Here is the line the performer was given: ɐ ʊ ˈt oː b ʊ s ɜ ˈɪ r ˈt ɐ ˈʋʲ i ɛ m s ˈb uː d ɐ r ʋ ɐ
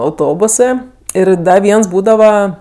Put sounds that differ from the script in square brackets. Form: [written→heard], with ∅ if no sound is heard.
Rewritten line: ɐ ʊ ˈt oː b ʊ s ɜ ˈɪ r [ˈt→ˈd] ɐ ˈʋʲ i ɛ [m→n] s ˈb uː d ɐ [r→∅] ʋ ɐ